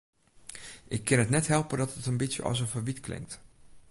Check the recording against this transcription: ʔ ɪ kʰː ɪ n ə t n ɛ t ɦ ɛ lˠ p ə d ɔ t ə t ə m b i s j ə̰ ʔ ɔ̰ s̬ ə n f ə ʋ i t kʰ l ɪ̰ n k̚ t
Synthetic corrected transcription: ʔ ɪ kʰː ɪ n ə t n ɛ t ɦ ɛ lˠ p ə d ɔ t ə t ə n b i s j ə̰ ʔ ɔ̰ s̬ ə n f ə ʋ i t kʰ l ɪ̰ ŋ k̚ t